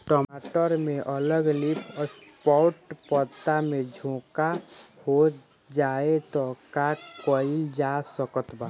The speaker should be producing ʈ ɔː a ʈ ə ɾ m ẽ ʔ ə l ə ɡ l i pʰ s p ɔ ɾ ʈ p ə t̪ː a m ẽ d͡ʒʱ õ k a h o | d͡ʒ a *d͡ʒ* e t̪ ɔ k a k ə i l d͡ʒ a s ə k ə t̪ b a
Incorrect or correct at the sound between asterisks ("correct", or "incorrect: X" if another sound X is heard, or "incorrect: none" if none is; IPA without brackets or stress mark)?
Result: incorrect: none